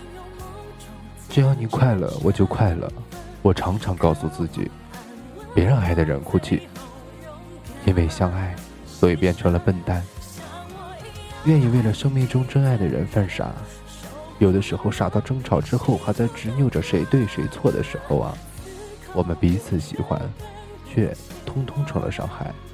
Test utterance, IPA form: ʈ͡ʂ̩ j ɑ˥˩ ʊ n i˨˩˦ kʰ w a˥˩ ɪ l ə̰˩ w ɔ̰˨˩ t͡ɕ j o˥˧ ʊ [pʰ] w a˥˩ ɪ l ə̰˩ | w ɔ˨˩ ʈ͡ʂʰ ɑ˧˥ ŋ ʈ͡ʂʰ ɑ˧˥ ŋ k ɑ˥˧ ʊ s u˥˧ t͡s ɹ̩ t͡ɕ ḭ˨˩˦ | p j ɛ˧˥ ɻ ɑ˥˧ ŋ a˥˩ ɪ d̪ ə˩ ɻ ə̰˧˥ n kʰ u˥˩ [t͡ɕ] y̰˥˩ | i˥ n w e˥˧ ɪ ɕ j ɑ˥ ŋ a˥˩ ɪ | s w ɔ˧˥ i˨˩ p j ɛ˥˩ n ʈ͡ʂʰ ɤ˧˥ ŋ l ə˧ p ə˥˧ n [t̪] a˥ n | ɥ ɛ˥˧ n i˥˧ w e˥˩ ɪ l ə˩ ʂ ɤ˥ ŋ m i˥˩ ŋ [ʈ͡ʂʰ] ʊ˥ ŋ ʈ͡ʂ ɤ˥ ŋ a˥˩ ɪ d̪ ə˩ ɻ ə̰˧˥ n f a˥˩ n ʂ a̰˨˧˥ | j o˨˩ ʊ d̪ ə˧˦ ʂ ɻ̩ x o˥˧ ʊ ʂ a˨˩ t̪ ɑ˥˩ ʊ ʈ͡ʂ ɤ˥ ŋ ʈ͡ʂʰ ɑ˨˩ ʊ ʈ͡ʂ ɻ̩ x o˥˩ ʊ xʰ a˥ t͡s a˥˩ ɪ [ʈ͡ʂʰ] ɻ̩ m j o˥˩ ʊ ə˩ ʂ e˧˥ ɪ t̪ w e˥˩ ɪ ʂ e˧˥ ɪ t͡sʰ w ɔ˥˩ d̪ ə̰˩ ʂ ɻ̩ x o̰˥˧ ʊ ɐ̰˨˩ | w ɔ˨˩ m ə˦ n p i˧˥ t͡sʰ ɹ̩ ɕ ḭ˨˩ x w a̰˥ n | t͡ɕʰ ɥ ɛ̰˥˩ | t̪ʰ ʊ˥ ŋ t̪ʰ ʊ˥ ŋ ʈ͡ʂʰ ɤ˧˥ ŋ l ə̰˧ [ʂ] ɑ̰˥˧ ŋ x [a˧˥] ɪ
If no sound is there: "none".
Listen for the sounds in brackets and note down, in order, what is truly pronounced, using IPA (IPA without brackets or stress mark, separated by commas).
kʰ, t͡ɕʰ, t̪, ʈ͡ʂ, ʈ͡ʂ, ʂ, a˥˩